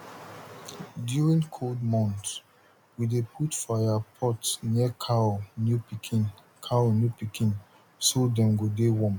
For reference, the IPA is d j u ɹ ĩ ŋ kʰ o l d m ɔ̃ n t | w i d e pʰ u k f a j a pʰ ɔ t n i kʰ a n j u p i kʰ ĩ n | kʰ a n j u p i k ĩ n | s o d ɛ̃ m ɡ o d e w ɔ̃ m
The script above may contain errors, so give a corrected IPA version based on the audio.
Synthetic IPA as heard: d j u ɹ ĩ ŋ kʰ o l d m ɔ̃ n t | w i d e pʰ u t f a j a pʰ ɔ t n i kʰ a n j u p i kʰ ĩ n | kʰ a n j u p i k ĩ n | s o d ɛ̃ m ɡ o d e w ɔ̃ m

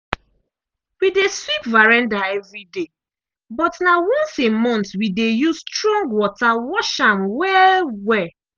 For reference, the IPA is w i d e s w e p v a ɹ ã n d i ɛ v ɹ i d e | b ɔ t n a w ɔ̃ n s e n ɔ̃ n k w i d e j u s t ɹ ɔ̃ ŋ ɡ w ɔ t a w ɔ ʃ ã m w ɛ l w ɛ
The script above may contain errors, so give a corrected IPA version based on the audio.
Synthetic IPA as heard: w i d e s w i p v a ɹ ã n d a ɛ v ɹ i d e | b ɔ t n a w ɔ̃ n s e m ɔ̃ n t w i d e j u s t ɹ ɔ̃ ŋ ɡ w ɔ t a w ɔ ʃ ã m w ɛ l w ɛ

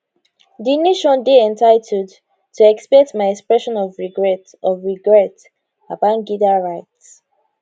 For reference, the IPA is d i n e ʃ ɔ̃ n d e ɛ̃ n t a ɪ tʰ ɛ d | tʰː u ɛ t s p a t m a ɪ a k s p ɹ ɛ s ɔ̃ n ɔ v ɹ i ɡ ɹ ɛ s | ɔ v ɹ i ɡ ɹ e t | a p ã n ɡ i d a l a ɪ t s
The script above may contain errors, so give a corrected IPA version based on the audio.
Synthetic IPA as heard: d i n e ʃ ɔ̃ n d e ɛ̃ n t a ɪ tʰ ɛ d | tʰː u ɛ k s p ɛ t m a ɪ ɛ k s p ɹ ɛ ʃ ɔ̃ n ɔ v ɹ i ɡ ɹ ɛ t | ɔ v ɹ i ɡ ɹ ɛ t | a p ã n ɡ i d a ɹ a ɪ t s

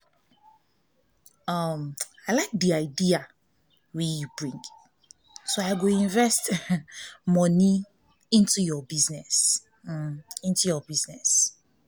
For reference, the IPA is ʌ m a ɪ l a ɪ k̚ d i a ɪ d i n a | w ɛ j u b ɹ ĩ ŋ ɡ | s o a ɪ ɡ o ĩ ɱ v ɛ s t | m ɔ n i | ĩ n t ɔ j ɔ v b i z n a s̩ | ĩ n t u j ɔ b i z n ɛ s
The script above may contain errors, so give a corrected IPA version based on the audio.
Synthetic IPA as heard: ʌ m a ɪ l a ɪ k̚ d i a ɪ d i a | w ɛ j u b ɹ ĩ ŋ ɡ | s o a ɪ ɡ o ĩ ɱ v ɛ s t | m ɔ n i | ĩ n t u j ɔ b i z n ɛ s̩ | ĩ n t u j ɔ b i z n ɛ s

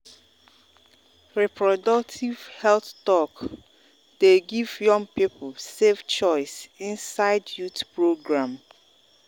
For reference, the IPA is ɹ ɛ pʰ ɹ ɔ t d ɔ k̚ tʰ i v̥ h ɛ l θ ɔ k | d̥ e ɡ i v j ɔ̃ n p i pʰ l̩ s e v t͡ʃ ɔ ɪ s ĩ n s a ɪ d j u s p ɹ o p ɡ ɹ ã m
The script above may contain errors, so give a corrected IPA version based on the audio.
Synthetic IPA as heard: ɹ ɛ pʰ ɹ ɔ d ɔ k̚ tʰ i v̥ h ɛ l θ ɔ k | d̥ e ɡ i v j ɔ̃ ŋ p i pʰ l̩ s e v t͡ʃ ɔ ɪ s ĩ n s a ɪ d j u t p ɹ o ɡ ɹ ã m

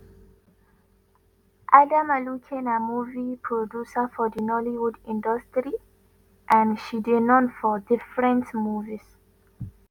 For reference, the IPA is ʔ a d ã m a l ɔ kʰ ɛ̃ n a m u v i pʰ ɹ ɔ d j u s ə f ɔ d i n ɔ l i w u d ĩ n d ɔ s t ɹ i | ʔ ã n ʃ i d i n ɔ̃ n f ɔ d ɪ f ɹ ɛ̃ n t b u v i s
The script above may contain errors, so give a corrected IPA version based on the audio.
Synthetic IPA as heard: ʔ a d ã m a l u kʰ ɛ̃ n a m u v i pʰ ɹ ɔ d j u s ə f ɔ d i n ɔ l i w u d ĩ n d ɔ s t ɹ i | ʔ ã n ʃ i d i n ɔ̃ n f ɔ d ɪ f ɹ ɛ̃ n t m u v i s

